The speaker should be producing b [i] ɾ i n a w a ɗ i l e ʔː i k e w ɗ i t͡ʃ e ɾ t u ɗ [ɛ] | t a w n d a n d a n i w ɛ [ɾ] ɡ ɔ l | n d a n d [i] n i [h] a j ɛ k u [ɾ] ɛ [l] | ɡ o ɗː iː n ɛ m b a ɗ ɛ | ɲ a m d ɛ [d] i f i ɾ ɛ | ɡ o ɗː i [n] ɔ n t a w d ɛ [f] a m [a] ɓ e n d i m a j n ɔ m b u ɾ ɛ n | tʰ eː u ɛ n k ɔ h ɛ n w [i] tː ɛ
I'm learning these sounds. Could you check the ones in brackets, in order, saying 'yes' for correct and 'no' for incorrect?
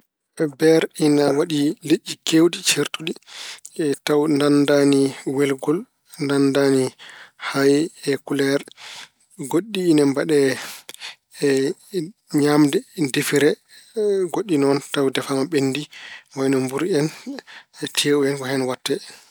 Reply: no, no, no, no, yes, no, no, yes, yes, yes, yes, no

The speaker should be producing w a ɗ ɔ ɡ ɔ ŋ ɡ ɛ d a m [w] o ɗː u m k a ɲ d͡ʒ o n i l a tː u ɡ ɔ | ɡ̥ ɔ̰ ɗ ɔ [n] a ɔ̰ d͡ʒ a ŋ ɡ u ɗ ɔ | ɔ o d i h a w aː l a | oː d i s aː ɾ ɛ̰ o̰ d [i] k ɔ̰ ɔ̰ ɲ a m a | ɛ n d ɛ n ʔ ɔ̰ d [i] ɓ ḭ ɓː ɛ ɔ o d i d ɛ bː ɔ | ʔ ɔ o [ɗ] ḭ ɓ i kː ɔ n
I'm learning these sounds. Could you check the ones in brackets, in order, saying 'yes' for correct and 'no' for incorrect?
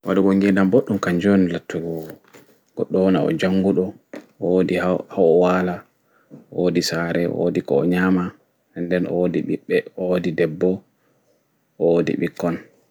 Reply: no, yes, yes, yes, no

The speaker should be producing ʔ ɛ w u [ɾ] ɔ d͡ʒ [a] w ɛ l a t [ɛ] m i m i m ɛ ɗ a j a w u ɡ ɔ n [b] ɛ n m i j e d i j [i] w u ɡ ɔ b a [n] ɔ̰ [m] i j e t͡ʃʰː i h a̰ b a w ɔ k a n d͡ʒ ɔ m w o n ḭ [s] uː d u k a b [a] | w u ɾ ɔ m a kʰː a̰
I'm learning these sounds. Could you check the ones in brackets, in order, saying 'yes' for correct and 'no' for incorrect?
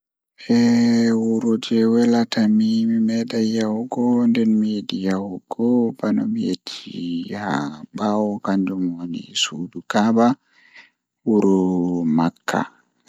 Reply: yes, no, no, no, no, yes, yes, yes, yes

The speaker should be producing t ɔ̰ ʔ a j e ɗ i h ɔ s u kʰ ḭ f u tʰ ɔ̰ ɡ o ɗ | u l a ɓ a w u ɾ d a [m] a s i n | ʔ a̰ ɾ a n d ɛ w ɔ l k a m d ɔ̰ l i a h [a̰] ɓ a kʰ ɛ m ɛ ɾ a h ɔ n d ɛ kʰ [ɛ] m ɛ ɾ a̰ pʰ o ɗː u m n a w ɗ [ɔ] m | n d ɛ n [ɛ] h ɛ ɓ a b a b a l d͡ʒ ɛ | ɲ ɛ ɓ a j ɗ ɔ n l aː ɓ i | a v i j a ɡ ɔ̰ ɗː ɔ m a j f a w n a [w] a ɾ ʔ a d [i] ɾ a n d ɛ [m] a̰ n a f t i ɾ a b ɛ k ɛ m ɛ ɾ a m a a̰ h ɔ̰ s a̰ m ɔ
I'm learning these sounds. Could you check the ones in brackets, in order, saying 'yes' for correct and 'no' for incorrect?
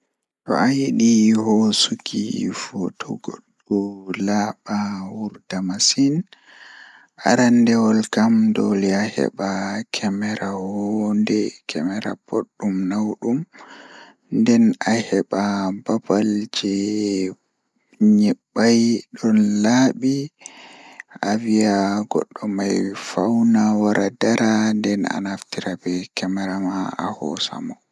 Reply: yes, no, yes, no, no, yes, no, no

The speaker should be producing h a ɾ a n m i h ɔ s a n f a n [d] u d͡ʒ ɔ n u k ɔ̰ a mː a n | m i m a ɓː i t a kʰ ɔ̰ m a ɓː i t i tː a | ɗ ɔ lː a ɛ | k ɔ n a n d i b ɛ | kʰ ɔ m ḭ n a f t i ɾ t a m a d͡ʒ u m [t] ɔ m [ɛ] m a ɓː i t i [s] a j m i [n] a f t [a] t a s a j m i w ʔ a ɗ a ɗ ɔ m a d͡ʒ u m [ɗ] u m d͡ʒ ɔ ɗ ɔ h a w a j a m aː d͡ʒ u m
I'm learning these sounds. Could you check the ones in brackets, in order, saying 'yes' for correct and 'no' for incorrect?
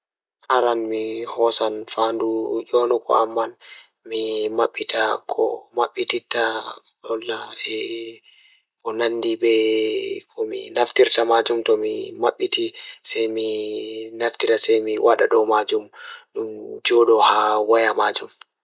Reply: yes, yes, no, yes, yes, no, yes

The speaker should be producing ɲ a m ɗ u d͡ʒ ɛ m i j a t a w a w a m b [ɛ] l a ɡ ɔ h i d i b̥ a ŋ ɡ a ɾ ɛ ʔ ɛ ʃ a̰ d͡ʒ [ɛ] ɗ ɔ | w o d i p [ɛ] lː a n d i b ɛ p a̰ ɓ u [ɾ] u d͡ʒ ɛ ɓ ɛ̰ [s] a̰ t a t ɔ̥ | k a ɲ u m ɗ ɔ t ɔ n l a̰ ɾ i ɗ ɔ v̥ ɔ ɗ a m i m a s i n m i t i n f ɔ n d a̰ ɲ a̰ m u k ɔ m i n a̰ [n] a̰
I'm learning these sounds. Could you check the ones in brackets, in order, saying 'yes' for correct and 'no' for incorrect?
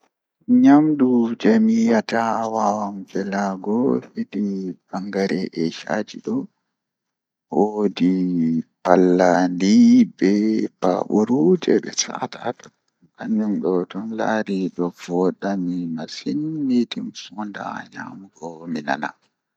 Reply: yes, no, no, yes, yes, yes

